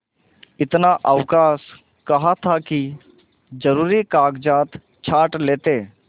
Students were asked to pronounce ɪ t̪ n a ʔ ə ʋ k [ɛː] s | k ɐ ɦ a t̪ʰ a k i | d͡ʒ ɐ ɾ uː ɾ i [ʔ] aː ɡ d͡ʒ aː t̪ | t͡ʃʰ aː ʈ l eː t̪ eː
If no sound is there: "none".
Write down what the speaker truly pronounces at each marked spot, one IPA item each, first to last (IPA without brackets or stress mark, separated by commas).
aː, k